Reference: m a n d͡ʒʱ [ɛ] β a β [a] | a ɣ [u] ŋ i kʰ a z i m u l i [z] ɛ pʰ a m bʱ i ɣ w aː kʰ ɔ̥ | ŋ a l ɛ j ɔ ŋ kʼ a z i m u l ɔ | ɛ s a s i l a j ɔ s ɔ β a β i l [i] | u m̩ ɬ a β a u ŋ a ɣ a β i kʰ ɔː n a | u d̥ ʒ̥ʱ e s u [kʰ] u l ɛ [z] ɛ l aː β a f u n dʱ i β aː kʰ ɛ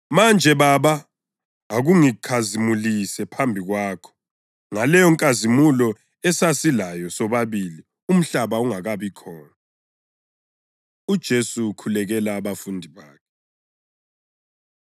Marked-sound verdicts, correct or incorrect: correct, correct, correct, incorrect, correct, correct, incorrect

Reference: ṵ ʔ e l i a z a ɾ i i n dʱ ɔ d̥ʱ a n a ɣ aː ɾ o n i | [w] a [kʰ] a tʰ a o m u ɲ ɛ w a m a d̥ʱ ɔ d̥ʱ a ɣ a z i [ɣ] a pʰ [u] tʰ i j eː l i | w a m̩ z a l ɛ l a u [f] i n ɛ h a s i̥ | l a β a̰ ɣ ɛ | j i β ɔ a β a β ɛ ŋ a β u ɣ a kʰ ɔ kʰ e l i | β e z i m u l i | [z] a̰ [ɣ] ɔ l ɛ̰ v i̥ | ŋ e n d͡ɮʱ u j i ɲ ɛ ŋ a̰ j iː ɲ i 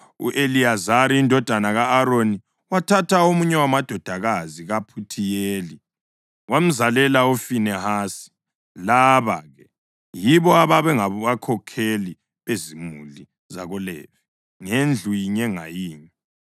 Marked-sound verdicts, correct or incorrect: correct, incorrect, correct, correct, correct, correct, correct

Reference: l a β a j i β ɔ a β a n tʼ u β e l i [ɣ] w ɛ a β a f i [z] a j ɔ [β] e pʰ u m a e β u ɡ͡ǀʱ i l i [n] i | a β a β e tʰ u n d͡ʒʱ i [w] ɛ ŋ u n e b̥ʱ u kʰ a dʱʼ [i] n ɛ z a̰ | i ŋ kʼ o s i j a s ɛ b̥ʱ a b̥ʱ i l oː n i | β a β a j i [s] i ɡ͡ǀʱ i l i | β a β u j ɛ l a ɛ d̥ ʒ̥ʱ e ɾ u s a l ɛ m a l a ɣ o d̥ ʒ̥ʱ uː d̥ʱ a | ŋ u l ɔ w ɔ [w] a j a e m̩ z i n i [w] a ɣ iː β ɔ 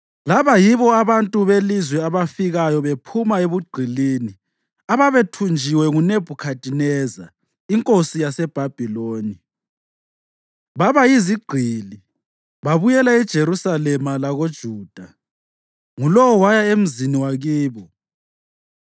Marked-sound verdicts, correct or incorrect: incorrect, incorrect, correct, correct, correct, correct, incorrect, correct, correct

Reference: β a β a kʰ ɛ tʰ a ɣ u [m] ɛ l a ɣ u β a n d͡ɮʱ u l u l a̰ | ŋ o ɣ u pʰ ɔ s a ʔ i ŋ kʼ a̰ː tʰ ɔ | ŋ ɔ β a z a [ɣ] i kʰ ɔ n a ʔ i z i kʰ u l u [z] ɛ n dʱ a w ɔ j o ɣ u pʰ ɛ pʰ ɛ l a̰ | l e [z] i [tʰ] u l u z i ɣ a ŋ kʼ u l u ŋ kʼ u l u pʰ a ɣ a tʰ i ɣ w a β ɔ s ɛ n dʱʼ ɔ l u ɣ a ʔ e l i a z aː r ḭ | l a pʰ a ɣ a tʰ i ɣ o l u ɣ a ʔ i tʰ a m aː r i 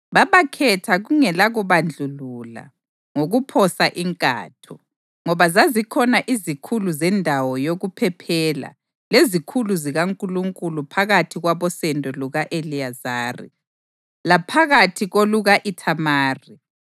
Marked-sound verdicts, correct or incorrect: incorrect, incorrect, correct, correct, incorrect

